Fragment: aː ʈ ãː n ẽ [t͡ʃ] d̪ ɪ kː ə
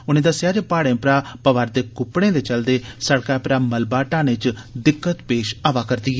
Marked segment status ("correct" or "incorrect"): correct